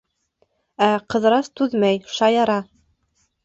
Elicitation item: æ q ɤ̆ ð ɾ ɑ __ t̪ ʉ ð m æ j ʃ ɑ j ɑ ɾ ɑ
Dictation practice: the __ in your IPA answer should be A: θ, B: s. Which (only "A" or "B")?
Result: B